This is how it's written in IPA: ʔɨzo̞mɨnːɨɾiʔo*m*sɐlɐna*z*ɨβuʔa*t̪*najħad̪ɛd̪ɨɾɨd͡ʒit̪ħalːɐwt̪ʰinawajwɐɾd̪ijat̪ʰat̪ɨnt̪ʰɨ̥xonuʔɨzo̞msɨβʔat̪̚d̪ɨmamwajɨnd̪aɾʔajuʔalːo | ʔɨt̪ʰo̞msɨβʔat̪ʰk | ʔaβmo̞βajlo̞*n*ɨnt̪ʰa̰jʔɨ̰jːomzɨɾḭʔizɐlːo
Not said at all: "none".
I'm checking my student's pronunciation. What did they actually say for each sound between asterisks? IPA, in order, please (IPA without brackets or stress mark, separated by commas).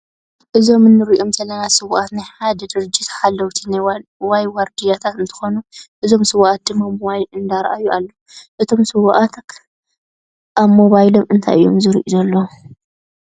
m, s, t̪, m